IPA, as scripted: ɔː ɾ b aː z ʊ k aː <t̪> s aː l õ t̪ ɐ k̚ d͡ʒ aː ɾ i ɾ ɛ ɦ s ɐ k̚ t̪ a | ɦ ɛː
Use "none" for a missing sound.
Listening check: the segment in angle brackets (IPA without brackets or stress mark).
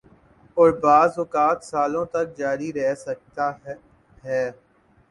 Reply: t̪